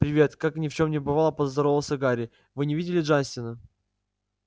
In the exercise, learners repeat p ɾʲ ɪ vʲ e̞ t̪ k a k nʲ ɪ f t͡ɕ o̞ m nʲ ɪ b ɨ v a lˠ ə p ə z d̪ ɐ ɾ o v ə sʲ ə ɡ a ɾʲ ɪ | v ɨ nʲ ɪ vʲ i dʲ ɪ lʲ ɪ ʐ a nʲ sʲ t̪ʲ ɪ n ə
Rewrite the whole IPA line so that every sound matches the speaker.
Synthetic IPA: p ɾʲ ɪ vʲ e̞ t̪ k a k nʲ ɪ f t͡ɕ o̞ m nʲ ɪ b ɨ v a lˠ ə p ə z d̪ ɐ ɾ o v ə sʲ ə ɡ a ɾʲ ɪ | v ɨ nʲ ɪ vʲ i dʲ ɪ lʲ ɪ ʐ a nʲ sʲ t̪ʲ ɪ n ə